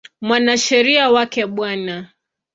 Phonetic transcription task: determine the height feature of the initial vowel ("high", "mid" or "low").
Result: low